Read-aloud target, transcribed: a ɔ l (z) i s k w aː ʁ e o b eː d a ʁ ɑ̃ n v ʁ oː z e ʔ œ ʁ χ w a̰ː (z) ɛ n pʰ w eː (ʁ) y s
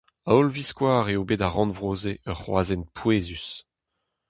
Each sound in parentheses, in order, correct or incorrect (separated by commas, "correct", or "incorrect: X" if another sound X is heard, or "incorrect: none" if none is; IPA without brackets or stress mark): incorrect: v, correct, incorrect: z